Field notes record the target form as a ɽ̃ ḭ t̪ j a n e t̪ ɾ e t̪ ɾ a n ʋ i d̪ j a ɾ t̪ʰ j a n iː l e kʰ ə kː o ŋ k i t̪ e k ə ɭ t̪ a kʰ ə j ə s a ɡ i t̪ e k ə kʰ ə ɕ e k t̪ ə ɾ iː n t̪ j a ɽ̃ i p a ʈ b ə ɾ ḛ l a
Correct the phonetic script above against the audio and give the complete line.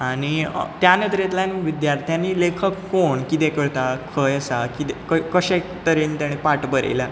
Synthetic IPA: a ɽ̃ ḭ t̪ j a n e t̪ ɾ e t̪ l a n ʋ i d̪ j a ɾ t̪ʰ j a n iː l e kʰ ə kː o ɳ k i t̪ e k ə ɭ t̪ a kʰ ə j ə s a k i t̪ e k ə k ə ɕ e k t̪ ə ɾ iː n t̪ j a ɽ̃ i p a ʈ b ə ɾ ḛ l a

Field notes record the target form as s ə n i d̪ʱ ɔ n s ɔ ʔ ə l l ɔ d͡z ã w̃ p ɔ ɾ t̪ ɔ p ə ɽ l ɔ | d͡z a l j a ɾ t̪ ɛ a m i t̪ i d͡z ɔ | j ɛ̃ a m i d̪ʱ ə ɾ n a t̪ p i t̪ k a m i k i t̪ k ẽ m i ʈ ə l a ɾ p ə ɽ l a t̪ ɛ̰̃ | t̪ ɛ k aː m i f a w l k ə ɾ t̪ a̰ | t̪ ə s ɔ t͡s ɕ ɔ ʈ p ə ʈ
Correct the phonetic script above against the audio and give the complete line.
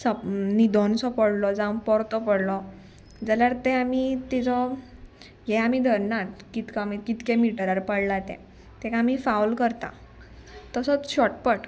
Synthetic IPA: s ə n i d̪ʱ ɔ n s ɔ p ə ɽ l ɔ d͡z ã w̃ p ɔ ɾ t̪ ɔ p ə ɽ l ɔ | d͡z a l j a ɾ t̪ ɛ a m i t̪ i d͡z ɔ | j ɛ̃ a m i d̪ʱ ə ɾ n a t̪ k i t̪ k a m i k i t̪ k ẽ m i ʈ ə ɾ a ɾ p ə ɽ l a t̪ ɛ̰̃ | t̪ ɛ k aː m i f a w l k ə ɾ t̪ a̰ | t̪ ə s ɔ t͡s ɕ ɔ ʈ p ə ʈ

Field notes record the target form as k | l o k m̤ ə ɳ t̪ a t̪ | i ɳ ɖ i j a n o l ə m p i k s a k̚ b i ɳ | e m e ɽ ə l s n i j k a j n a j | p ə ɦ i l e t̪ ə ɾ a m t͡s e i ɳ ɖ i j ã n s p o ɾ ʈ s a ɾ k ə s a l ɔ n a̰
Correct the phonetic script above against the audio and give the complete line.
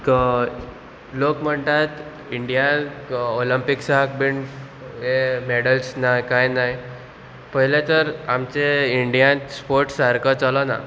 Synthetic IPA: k | l o k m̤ ə ɳ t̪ a t̪ | i ɳ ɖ i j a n o l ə m p i k s a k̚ b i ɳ | e m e ɽ ə l s n a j k a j n a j | p ə ɦ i l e t̪ ə ɾ a m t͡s e i ɳ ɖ i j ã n s p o ɾ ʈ s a ɾ k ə t͡s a l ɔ n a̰

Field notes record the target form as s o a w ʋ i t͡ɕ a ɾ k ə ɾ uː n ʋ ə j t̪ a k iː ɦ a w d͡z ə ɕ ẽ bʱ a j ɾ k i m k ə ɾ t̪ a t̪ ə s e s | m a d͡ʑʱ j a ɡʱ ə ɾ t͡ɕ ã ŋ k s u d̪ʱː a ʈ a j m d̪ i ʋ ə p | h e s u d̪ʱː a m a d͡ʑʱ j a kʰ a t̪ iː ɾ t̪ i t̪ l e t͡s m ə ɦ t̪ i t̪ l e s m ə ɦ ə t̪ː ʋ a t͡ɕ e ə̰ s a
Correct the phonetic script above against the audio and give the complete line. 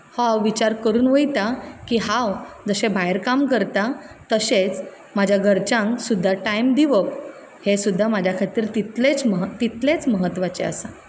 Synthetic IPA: h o a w ʋ i t͡ɕ a ɾ k ə ɾ uː n ʋ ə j t̪ a k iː ɦ a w d͡z ə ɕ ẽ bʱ a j ɾ k a m k ə ɾ t̪ a t̪ ə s e t͡s | m a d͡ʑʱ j a ɡʱ ə ɾ t͡ɕ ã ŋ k s u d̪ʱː a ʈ a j m d̪ i ʋ ə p | h e s u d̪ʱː a m a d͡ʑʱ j a kʰ a t̪ iː ɾ t̪ i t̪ l e t͡s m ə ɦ t̪ i t̪ l e t͡s m ə ɦ ə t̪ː ʋ a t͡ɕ e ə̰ s a

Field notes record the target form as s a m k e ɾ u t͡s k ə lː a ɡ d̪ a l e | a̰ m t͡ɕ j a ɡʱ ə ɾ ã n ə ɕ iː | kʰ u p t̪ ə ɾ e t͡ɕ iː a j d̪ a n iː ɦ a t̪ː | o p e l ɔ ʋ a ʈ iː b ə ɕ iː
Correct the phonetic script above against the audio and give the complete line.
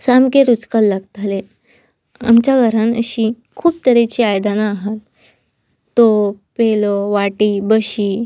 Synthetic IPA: s a m k e ɾ u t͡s k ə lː a ɡ t̪ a l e | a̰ m t͡ɕ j a ɡʱ ə ɾ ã n ə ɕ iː | kʰ uː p t̪ ə ɾ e t͡ɕ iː a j d̪ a n aː ɦ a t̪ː | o p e l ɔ ʋ a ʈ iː b ə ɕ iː

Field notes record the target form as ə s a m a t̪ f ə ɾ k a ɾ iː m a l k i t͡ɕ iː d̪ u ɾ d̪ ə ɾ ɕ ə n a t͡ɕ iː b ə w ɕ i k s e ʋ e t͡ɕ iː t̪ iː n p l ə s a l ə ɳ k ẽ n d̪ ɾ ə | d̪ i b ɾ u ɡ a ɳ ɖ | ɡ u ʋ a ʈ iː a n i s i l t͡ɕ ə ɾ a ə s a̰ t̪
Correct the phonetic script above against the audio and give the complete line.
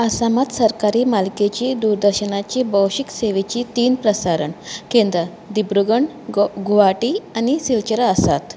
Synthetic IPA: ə s a m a t̪ s ə ɾ k a ɾ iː m a l k e t͡ɕ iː d̪ u ɾ d̪ ə ɾ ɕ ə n a t͡ɕ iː b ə w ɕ i k s e ʋ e t͡ɕ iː t̪ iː n p ɾ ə s a ɾ ə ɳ k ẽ n d̪ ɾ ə | d̪ i b ɾ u ɡ ə ɳ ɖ | ɡ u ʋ a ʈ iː a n i s i l t͡ɕ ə ɾ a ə s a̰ t̪

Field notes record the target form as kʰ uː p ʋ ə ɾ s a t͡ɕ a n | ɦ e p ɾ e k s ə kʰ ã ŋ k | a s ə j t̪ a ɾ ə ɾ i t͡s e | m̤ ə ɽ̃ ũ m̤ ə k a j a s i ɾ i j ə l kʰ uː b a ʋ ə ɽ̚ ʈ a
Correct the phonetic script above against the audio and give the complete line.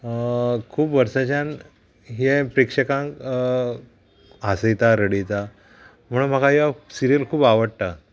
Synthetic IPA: kʰ uː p ʋ ə ɾ s a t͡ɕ a n | ɦ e p ɾ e k ʂ ə k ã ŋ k | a s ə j t̪ a ɾ ə ɽ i t͡s a | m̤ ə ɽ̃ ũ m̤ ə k a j a s i ɾ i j ə l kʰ uː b a ʋ ə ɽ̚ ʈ a

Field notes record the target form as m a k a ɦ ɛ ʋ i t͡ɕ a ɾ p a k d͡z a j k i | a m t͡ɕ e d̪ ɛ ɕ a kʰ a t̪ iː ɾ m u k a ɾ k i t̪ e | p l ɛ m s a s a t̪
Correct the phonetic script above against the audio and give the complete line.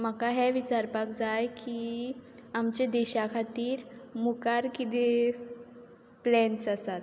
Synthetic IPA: m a k a ɦ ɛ ʋ i t͡ɕ a ɾ p a k d͡z a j k i | a m t͡ɕ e d̪ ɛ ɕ a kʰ a t̪ iː ɾ m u k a ɾ k i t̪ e | p l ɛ n s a s a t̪

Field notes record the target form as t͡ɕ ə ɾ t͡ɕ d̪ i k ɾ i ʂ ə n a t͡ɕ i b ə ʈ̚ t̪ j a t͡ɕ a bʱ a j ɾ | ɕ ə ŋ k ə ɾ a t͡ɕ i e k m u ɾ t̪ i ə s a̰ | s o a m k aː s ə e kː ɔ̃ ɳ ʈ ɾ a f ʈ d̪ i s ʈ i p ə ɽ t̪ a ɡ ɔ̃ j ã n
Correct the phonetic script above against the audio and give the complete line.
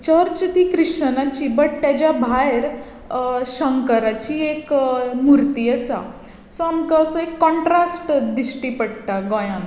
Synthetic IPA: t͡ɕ ə ɾ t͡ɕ t̪ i k ɾ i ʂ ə n a t͡ɕ i b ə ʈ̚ t̪ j a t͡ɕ a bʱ a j ɾ | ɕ ə ŋ k ə ɾ a t͡ɕ i e k m u ɾ t̪ i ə s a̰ | s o a m k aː s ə e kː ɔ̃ ɳ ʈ ɾ a s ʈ d̪ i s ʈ i p ə ɽ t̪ a ɡ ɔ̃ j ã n

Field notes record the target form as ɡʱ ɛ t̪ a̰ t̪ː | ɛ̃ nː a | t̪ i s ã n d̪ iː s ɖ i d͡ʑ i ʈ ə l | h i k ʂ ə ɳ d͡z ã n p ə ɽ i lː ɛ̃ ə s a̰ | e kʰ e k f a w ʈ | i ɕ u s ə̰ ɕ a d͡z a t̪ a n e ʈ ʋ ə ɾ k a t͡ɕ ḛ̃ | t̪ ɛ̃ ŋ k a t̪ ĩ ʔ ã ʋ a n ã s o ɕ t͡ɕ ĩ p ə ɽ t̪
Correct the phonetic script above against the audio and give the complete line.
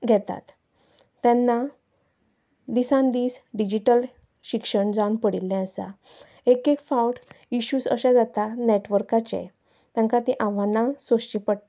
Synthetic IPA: ɡʱ ɛ t̪ a̰ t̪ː | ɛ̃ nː a | d̪ i s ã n d̪ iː s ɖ i d͡ʑ i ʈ ə l | ɕ i k ʂ ə ɳ d͡z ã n p ə ɽ i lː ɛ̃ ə s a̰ | e k e k f a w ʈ | i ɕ u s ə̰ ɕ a d͡z a t̪ a n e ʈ ʋ ə ɾ k a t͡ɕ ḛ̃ | t̪ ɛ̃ ŋ k a t̪ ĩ ʔ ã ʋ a n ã s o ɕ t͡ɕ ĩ p ə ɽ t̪

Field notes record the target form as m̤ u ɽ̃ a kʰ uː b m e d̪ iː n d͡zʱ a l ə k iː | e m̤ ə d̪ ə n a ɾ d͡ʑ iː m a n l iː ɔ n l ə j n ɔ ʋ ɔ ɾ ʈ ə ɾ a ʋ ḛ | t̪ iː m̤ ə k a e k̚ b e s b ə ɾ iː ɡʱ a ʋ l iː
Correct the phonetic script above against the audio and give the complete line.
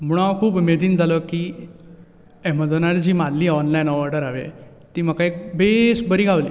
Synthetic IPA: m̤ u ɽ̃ a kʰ uː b m e d̪ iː n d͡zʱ a l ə k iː | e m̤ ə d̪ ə n a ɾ d͡ʑ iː m a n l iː ɔ n l a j n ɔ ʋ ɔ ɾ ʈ ə ɾ a ʋ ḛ | t̪ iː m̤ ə k a e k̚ b e s b ə ɾ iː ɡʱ a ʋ l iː

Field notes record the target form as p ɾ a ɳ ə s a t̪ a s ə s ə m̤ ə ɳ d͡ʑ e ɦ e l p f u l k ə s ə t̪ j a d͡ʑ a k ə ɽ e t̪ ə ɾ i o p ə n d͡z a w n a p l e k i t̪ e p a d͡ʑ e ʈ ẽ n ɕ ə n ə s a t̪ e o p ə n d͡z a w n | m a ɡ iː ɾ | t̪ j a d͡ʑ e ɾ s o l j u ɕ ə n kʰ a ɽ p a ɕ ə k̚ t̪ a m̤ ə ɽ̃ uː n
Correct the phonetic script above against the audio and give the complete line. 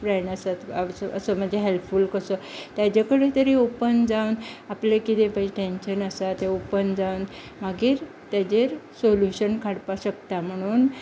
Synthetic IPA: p ɾ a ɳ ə s a t̪ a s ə s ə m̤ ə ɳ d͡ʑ e ɦ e l p f u l k ə s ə t̪ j a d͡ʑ a k ə ɽ e t̪ ə ɾ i o p ə n d͡z a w n a p l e k i t̪ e p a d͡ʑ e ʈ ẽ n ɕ ə n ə s a t̪ e o p ə n d͡z a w n | m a ɡ iː ɾ | t̪ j a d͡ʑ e ɾ s o l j u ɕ ə n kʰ a ɽ p a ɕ ə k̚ t̪ a m̤ ə ɽ̃ uː n

